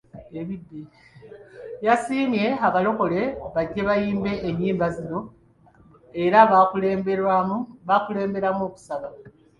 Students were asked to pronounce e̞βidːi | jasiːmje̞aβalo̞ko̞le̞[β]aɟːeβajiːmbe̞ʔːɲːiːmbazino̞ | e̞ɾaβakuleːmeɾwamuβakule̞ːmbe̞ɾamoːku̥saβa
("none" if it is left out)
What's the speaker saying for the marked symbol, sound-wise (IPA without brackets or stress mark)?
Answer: β